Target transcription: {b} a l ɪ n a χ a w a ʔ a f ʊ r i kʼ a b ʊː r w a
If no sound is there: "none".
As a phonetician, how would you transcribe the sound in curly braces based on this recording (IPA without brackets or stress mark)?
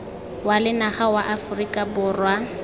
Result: w